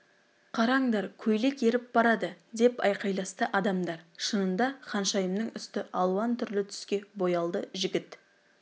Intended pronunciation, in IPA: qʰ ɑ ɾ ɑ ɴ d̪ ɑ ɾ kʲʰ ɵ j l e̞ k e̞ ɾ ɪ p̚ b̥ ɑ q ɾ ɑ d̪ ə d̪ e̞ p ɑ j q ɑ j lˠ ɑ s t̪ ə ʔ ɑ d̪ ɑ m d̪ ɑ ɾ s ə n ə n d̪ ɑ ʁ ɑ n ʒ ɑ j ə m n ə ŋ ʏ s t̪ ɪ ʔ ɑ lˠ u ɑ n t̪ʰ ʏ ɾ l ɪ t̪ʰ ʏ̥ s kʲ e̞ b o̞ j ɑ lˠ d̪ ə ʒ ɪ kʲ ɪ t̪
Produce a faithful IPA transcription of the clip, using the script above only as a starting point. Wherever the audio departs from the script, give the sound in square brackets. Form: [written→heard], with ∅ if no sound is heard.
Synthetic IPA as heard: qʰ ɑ ɾ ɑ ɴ d̪ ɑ ɾ kʲʰ ɵ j l e̞ k e̞ ɾ ɪ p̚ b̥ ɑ [q→∅] ɾ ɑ d̪ ə d̪ e̞ p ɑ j q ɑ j lˠ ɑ s t̪ ə ʔ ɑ d̪ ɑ m d̪ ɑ ɾ [s→ʃ] ə n ə n d̪ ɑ [ʁ→χ] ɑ n [ʒ→ʃ] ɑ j ə m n ə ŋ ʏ s t̪ ɪ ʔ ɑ lˠ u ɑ n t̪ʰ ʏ ɾ l ɪ t̪ʰ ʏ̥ s kʲ e̞ b o̞ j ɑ lˠ d̪ ə ʒ ɪ [kʲ→ɡʲ] ɪ t̪